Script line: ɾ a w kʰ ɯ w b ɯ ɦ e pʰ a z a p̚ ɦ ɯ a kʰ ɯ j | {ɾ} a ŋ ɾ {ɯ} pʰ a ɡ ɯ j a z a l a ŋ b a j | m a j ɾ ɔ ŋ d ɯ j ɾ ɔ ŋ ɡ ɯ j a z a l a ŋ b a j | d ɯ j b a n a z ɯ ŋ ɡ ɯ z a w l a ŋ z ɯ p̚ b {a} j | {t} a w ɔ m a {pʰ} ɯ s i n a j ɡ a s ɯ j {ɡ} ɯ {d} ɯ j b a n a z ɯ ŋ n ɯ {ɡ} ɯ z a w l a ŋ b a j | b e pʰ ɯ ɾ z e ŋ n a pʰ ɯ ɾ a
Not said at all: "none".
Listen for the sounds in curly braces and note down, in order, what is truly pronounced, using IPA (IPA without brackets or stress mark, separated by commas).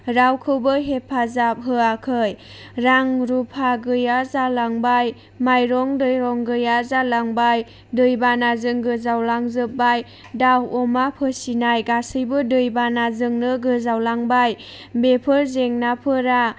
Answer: ɾ, u, a, d, pʰ, b, d, ɡ